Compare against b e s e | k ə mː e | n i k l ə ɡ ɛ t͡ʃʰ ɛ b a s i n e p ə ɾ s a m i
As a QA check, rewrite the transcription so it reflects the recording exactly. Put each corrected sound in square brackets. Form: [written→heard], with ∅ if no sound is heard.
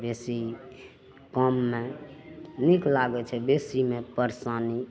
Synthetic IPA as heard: b e s [e→i] | k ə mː e | n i k l [ə→a] ɡ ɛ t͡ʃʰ ɛ b [a→e] s i [n→m] e p ə ɾ s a [m→n] i